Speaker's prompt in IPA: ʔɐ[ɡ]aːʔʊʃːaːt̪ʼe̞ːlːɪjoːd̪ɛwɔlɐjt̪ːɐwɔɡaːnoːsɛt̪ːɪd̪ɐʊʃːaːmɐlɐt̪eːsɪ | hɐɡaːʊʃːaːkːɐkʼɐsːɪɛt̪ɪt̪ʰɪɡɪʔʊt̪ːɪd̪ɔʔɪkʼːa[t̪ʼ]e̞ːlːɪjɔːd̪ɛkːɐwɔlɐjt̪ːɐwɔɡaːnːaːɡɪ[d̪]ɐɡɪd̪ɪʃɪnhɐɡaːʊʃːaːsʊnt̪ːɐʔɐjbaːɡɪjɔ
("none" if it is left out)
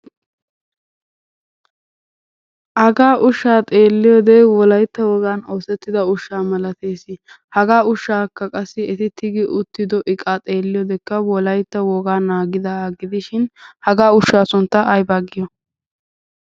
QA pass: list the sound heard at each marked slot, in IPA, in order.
ɡ, t̪ʼ, d̪

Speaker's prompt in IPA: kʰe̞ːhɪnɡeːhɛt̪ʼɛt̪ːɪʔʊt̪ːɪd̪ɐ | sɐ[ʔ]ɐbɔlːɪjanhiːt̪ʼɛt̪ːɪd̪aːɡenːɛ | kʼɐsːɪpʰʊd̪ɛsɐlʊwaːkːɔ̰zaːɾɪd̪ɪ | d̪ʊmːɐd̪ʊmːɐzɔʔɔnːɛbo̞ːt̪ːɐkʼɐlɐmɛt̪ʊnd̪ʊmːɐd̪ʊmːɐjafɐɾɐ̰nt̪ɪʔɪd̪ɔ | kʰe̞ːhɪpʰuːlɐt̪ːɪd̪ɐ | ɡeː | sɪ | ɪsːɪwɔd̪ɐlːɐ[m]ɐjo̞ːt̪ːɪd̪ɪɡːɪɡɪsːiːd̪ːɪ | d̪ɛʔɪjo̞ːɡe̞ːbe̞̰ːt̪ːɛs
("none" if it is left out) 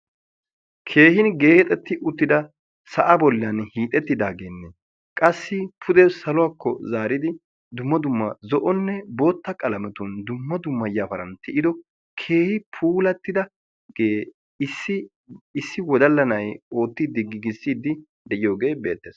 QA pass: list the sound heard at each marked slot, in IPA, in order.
ʔ, n

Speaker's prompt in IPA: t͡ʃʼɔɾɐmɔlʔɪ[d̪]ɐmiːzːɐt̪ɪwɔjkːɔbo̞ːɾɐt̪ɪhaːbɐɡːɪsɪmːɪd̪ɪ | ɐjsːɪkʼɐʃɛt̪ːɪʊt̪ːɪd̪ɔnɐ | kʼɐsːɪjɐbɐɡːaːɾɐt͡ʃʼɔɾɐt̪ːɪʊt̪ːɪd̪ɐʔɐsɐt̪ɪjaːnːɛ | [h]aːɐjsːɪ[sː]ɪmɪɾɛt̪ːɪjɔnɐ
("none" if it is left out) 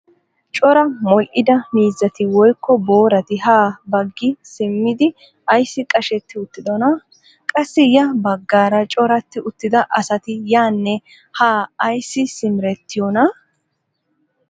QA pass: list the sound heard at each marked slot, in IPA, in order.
d̪, h, s

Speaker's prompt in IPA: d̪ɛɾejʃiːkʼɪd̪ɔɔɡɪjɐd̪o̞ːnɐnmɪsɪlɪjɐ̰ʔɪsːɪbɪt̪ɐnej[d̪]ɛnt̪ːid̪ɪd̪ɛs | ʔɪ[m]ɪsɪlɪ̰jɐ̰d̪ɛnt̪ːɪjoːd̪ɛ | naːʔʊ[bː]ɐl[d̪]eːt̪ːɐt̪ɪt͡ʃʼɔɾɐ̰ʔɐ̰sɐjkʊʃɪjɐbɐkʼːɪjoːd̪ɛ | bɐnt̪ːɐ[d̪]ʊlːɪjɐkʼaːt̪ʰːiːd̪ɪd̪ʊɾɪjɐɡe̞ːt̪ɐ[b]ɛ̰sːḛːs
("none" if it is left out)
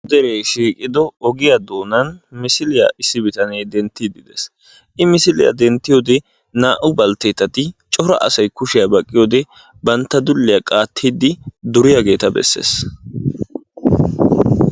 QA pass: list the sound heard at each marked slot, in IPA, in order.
d̪, m, b, t̪, d̪, b

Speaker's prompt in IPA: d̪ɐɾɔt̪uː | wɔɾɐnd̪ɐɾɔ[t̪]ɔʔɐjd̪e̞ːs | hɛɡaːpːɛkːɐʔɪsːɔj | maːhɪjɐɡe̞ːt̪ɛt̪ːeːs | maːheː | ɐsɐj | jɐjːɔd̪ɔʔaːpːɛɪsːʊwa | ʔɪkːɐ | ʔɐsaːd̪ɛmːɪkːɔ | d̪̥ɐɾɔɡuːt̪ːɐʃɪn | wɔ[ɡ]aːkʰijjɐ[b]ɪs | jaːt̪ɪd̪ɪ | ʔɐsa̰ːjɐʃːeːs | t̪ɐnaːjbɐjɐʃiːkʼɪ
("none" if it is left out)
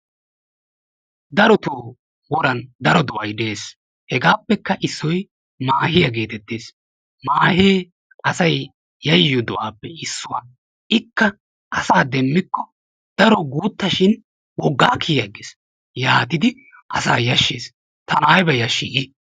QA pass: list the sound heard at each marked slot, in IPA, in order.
d̪, ɡː, ɡ

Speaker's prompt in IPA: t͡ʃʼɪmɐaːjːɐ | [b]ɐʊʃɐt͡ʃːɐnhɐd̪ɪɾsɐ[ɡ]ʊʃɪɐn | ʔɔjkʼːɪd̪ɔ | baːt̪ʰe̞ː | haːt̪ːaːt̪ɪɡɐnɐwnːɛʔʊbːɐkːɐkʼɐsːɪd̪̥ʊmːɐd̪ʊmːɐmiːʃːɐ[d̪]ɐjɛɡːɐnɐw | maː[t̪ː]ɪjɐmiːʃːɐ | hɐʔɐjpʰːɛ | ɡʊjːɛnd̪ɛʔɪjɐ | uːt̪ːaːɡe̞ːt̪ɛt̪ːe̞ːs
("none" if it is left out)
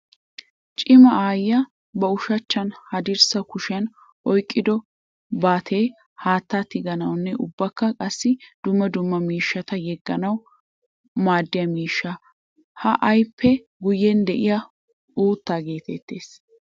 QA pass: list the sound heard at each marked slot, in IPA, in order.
b, k, t̪, d̪ː

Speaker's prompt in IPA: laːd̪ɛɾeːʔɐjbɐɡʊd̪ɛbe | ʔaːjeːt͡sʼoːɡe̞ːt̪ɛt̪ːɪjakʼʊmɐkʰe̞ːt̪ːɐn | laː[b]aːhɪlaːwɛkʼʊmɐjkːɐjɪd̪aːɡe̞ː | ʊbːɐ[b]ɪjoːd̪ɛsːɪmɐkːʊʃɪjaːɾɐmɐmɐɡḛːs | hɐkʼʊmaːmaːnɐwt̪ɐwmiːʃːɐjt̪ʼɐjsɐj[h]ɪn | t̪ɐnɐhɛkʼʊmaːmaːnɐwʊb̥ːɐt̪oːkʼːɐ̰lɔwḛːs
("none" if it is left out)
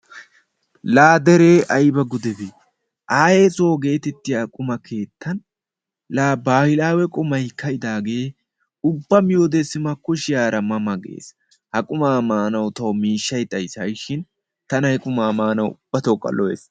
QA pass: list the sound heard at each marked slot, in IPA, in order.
b, m, ʃ

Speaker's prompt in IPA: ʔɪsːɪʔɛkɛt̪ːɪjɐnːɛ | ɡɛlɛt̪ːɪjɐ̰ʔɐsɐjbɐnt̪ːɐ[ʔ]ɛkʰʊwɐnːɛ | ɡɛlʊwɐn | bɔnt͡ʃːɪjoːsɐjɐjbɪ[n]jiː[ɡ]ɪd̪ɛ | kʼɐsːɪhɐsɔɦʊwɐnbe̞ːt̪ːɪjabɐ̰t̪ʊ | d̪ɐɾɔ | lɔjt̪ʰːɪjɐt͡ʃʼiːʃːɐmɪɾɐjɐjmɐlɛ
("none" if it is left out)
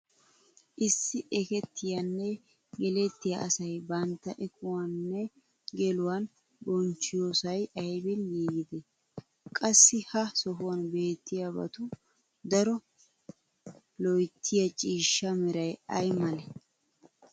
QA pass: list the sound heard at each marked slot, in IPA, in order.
ʔ, n, ɡ

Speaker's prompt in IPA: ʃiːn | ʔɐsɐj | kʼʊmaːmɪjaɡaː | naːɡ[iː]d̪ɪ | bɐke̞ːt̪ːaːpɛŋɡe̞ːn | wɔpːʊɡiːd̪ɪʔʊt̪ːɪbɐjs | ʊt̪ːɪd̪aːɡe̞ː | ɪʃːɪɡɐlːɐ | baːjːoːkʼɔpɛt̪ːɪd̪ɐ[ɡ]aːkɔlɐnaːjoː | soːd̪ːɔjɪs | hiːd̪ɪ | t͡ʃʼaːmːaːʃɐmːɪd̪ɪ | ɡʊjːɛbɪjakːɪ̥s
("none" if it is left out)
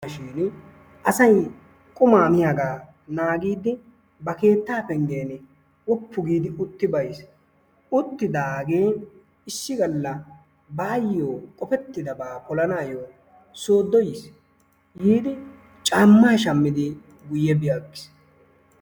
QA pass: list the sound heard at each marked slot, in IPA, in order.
iː, b

